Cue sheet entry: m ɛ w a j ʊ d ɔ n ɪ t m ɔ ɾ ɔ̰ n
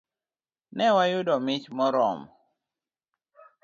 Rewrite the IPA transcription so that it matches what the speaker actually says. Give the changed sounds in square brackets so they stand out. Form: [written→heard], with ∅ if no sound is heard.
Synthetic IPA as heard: [m→n] ɛ w a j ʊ d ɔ [n→m] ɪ [t→t͡ʃ] m ɔ ɾ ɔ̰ [n→m]